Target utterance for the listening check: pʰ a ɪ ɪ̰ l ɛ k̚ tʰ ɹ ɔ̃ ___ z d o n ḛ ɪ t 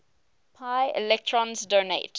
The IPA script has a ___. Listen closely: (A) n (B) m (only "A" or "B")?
A